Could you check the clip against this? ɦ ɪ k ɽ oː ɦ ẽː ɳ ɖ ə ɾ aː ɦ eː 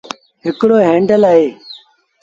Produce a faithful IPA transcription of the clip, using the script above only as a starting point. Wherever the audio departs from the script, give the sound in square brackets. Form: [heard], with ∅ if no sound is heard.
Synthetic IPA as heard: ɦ ɪ k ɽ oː ɦ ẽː ɳ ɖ ə [l] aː ɦ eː